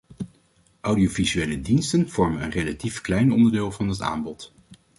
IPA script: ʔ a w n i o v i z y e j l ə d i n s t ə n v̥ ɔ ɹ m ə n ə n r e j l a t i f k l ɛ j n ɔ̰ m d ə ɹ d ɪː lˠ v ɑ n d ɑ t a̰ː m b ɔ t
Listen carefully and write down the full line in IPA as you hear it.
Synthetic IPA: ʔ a w d i o v i z y e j l ə d i n s t ə n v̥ ɔ ɹ m ə n ə n r e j l a t i f k l ɛ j n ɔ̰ n d ə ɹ d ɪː lˠ v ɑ n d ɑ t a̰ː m b ɔ t